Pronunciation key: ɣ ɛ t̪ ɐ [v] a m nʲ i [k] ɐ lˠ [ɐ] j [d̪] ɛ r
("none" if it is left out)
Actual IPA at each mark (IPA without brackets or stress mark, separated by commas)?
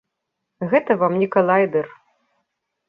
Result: v, k, a, d̪